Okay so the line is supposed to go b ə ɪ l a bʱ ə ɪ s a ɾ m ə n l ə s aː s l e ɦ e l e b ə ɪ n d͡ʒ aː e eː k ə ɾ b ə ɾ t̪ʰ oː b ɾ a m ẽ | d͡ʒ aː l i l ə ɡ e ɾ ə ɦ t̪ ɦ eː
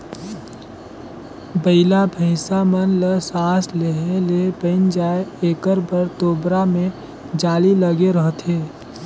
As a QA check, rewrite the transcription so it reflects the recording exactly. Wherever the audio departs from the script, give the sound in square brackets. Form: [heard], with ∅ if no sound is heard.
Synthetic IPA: b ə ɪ l a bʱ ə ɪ s a [∅] m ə n l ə s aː s l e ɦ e l e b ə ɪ n d͡ʒ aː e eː k ə ɾ b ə ɾ [t̪] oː b ɾ a m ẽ | d͡ʒ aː l i l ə ɡ e ɾ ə ɦ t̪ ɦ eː

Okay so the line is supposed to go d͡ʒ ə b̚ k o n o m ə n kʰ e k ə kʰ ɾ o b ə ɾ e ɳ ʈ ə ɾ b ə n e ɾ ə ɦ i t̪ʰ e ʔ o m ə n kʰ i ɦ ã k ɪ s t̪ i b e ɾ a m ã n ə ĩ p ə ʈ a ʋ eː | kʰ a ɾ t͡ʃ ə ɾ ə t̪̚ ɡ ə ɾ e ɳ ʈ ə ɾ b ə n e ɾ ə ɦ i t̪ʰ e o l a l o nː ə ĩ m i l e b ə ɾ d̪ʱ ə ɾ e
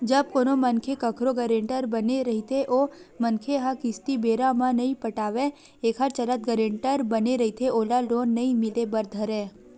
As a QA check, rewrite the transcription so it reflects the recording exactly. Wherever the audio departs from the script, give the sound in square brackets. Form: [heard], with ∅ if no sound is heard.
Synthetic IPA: d͡ʒ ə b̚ k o n o m ə n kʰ e k ə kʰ ɾ o [ɡ] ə ɾ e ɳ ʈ ə ɾ b ə n e ɾ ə ɦ i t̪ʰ e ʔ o m ə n kʰ [e] ɦ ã k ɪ s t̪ i b e ɾ a m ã n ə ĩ p ə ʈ a ʋ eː | kʰ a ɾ t͡ʃ ə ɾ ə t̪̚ ɡ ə ɾ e ɳ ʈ ə ɾ b ə n e ɾ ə ɦ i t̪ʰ e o l a l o nː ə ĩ m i l e b ə ɾ d̪ʱ ə ɾ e

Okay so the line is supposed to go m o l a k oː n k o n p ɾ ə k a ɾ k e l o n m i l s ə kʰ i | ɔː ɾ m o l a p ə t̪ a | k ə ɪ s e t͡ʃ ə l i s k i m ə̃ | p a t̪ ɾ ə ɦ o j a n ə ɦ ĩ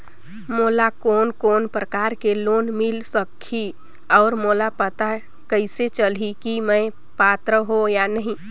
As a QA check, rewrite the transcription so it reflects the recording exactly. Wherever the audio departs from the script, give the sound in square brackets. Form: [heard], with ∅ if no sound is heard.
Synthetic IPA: m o l a k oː n k o n p ɾ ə k a ɾ k e l o n m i l s ə kʰ i | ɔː ɾ m o l a p ə t̪ a | k ə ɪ s e t͡ʃ ə l i [∅] k i m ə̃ | p a t̪ ɾ ə ɦ o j a n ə ɦ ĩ

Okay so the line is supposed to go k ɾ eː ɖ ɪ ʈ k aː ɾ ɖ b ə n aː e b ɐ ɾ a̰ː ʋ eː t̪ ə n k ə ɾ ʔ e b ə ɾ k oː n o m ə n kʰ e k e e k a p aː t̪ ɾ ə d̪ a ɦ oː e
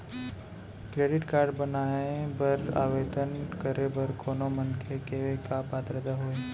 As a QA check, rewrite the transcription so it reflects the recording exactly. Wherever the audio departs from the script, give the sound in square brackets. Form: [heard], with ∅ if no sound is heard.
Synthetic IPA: k ɾ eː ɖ ɪ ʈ k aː ɾ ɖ b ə n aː e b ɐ ɾ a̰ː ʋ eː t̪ ə n k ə ɾ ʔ e b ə ɾ k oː n o m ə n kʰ e k e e k a p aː t̪ ɾ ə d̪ a ɦ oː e

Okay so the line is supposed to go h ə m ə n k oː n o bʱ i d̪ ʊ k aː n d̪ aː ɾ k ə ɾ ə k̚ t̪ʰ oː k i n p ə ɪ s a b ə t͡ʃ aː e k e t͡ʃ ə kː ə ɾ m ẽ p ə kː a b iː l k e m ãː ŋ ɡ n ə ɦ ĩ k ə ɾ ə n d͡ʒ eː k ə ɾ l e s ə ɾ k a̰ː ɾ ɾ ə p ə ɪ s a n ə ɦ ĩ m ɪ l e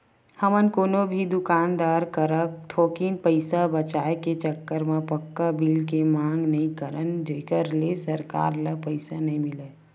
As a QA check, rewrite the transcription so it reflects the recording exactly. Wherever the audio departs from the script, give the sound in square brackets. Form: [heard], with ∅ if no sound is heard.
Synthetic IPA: h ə m ə n k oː n o bʱ i d̪ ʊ k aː n d̪ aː ɾ k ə ɾ ə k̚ t̪ʰ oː k i n p ə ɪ s a b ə t͡ʃ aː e k e t͡ʃ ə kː ə ɾ m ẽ p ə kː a b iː l k e m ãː ŋ ɡ n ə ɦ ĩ k ə ɾ ə n d͡ʒ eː k ə ɾ l e s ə ɾ k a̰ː ɾ [l] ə p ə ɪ s a n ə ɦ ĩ m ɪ l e

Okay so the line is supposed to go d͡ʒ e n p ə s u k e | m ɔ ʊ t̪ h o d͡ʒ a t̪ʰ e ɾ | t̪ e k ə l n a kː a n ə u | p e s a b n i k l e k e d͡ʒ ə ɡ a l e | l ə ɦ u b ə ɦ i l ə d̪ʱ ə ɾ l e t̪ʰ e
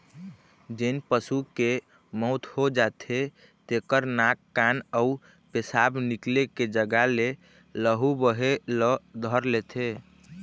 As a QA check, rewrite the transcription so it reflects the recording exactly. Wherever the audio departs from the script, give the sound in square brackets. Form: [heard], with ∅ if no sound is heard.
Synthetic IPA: d͡ʒ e n p ə s u k e | m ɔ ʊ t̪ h o d͡ʒ a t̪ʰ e [∅] | t̪ e k ə [ɾ] n a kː a n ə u | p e s a b n i k l e k e d͡ʒ ə ɡ a l e | l ə ɦ u b ə ɦ [e] l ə d̪ʱ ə ɾ l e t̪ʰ e

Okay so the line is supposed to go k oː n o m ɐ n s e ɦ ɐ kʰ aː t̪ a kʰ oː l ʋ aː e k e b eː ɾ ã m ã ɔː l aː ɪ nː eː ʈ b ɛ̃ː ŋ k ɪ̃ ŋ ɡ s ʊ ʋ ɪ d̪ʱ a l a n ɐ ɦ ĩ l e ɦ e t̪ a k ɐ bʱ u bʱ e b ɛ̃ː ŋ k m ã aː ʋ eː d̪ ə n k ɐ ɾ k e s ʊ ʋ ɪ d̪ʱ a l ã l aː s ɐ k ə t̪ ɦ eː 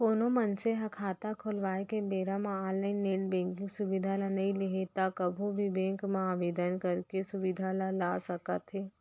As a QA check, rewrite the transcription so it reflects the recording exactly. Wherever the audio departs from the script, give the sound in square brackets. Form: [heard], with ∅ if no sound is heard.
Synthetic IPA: k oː n o m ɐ n s e ɦ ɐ kʰ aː t̪ a kʰ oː l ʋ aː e k e b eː ɾ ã m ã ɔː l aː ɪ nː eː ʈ b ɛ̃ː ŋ k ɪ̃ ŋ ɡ s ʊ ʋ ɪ d̪ʱ a l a n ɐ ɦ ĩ l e ɦ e t̪ a k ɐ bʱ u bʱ [i] b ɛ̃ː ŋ k m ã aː ʋ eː d̪ ə n k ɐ ɾ k e s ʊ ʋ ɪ d̪ʱ a l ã l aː s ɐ k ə t̪ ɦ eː

